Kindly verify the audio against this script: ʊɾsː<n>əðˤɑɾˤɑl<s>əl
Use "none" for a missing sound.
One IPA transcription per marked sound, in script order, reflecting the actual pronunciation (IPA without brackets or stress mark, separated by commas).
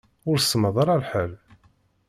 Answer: m, ħ